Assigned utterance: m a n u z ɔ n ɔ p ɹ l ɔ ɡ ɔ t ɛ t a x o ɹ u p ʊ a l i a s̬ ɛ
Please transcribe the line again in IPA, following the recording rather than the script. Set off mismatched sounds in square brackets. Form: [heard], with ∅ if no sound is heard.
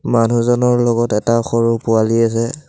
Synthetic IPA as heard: m a n u z ɔ n ɔ [∅] ɹ l ɔ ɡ ɔ t ɛ t a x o ɹ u p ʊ a l i a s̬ ɛ